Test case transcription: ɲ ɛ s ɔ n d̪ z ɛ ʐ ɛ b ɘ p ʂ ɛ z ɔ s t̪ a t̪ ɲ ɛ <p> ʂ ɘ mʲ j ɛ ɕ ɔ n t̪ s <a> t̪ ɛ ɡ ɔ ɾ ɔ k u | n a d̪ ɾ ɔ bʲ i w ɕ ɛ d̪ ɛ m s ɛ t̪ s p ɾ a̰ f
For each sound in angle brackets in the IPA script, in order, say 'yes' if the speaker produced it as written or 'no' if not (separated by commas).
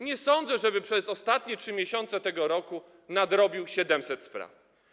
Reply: no, no